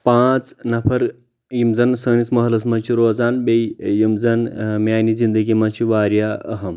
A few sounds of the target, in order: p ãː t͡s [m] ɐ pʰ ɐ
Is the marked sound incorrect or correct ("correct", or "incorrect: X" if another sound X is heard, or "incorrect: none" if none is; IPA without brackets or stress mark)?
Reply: incorrect: n